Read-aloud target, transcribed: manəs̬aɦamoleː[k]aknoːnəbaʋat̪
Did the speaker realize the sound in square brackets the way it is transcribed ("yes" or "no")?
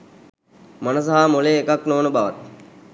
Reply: yes